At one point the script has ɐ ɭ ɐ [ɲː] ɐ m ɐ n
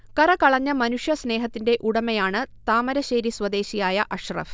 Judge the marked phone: correct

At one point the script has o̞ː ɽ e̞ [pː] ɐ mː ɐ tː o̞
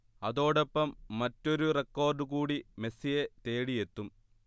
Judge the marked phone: correct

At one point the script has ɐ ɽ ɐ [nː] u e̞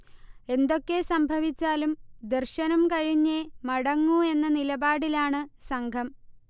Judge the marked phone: incorrect: ŋː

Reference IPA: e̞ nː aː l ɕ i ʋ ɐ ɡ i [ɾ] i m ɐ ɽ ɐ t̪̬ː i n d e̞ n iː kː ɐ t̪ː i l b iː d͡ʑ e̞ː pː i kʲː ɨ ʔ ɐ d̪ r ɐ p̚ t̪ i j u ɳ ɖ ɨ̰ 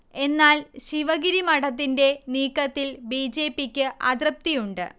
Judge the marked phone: correct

